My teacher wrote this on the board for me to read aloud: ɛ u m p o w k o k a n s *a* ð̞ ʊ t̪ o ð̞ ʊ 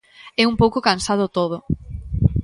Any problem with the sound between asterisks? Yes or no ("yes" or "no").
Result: no